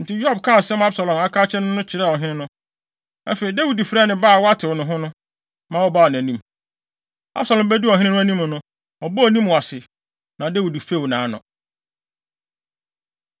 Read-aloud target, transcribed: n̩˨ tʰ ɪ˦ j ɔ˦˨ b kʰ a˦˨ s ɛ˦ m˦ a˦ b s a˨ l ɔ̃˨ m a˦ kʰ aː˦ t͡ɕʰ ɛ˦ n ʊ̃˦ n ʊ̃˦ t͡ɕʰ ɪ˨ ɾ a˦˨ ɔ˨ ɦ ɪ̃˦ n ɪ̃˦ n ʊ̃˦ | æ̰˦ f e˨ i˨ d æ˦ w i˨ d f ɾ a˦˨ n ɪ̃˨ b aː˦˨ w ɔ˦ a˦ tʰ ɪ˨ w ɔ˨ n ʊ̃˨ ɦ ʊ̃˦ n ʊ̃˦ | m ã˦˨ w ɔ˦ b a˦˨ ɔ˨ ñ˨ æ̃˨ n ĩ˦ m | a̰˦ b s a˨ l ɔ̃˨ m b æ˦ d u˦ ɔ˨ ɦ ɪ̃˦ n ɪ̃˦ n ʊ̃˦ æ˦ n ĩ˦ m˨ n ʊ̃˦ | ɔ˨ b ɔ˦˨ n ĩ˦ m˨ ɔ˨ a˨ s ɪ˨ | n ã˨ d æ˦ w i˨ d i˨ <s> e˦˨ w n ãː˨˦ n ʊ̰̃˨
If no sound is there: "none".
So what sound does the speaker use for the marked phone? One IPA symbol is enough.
f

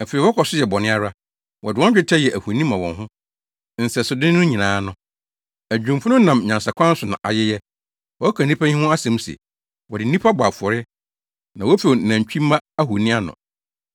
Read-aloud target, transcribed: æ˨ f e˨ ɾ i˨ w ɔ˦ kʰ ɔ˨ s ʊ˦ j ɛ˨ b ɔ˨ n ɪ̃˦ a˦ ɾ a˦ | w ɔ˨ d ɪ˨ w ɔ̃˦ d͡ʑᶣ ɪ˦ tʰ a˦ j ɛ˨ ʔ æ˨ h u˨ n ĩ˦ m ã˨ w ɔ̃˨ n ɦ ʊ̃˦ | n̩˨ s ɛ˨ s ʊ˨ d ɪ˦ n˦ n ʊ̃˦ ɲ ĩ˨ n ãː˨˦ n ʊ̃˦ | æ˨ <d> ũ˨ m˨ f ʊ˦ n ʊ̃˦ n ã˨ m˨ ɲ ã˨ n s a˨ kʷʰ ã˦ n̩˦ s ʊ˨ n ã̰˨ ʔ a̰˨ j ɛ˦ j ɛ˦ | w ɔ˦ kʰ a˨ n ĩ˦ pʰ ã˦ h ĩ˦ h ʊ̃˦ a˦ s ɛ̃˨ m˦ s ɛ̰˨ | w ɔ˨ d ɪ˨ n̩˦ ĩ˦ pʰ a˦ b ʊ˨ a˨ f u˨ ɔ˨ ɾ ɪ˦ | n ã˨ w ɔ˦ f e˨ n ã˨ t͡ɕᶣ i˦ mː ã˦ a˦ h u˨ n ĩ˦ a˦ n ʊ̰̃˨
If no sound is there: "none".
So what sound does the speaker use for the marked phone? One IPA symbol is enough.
d͡ʑᶣ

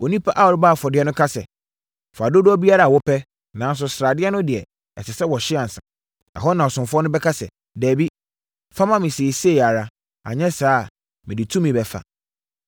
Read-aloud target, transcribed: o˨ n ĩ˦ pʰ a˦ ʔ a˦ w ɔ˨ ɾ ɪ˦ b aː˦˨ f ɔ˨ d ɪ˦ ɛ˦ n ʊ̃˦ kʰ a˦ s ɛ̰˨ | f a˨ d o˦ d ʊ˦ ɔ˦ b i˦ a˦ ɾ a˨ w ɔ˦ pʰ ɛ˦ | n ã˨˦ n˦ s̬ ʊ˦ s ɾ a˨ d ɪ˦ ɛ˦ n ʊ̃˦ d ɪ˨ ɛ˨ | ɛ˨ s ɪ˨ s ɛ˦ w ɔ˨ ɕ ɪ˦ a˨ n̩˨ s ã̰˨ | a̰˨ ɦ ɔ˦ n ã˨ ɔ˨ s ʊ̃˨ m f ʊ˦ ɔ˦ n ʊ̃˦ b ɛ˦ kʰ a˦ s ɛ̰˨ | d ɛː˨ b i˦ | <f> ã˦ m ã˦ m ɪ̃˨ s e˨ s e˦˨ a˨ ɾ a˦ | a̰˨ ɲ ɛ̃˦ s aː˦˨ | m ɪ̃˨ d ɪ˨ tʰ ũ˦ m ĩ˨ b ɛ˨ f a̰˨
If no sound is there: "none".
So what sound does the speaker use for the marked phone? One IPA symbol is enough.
f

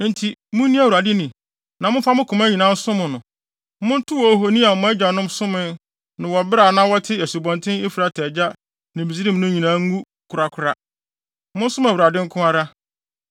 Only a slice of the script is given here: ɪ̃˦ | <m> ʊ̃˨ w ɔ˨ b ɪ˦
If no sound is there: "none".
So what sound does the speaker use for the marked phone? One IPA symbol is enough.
n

